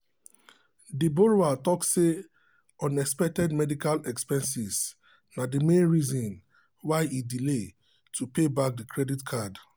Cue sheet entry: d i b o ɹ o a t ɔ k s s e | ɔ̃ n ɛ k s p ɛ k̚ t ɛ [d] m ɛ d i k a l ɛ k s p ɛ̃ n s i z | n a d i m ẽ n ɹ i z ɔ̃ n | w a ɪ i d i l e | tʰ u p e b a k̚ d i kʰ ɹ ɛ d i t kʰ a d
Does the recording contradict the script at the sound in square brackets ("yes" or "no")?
no